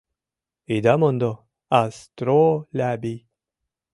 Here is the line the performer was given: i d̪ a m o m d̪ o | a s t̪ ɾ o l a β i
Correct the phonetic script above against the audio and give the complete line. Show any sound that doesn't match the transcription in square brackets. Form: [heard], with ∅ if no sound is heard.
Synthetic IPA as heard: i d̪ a m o [n] d̪ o | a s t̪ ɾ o l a [b] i